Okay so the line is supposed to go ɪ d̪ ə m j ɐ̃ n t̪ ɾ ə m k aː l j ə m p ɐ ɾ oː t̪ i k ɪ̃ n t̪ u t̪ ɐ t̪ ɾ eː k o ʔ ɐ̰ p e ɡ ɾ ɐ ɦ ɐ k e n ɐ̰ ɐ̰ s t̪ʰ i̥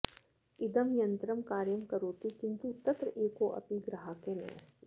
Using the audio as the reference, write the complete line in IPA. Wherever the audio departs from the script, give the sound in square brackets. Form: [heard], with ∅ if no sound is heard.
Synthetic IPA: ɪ d̪ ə m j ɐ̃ n t̪ ɾ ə m k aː [ɾ] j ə m [k] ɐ ɾ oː t̪ i k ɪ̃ n t̪ u t̪ ɐ t̪ ɾ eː k o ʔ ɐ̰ p [i] ɡ ɾ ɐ ɦ [a] k e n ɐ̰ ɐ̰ s [t̪] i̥